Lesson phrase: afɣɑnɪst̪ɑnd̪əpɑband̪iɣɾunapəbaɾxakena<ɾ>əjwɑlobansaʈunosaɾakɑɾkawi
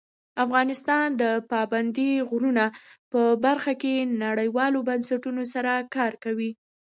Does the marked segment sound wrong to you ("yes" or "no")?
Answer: yes